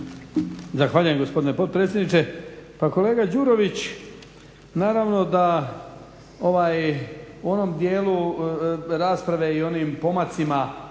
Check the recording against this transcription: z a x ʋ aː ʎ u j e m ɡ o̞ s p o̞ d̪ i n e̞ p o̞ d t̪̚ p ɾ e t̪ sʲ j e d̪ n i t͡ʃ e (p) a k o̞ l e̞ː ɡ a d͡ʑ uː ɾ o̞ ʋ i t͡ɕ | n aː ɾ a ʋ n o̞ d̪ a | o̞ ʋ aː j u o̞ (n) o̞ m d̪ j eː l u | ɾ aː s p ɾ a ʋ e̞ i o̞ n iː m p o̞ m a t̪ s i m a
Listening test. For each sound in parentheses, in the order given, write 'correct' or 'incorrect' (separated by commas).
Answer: correct, correct